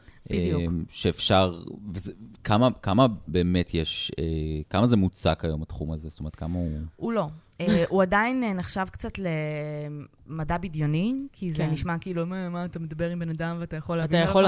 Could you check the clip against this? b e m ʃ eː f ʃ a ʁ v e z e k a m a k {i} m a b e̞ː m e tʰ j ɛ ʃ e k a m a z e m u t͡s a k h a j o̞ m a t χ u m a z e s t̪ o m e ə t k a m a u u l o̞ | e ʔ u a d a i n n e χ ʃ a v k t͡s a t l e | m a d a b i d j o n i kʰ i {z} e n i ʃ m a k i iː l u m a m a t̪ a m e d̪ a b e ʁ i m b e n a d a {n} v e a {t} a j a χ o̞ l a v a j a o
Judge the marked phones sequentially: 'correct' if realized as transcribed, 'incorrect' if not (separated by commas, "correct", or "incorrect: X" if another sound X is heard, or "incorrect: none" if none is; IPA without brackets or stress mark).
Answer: incorrect: a, correct, incorrect: m, correct